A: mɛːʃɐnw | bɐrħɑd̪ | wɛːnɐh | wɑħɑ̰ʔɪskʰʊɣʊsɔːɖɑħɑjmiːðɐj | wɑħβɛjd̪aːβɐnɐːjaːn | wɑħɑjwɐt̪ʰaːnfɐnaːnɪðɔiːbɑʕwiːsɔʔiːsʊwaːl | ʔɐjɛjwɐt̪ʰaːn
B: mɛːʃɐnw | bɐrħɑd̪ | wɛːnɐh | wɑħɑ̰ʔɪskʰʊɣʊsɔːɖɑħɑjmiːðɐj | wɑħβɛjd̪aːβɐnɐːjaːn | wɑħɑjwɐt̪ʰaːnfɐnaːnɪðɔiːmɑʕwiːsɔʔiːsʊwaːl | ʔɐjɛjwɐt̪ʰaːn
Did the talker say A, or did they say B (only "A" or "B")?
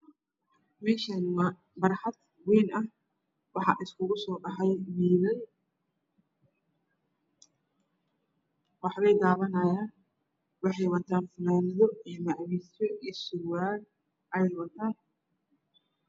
B